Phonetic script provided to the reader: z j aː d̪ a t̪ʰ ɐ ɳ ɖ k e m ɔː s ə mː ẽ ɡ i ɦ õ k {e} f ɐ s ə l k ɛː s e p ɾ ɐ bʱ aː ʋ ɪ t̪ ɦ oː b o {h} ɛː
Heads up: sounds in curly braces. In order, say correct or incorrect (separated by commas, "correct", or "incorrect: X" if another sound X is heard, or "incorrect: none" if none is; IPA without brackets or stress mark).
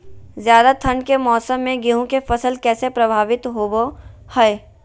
correct, correct